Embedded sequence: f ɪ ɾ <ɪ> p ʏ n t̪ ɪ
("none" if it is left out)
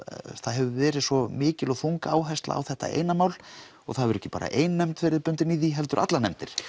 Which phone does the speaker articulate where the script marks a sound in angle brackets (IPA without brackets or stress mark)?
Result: ɪ